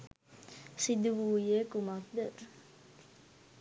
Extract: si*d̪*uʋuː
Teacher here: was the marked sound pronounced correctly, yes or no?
yes